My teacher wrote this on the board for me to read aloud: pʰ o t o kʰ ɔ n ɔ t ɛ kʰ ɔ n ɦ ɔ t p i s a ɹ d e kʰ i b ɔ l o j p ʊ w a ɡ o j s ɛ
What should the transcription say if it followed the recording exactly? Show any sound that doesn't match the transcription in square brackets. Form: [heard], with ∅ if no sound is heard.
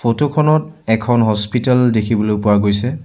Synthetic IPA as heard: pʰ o t o kʰ ɔ n ɔ t ɛ kʰ ɔ n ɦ ɔ [s] p i [t] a [l] d e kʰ i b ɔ l o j p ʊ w a ɡ o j s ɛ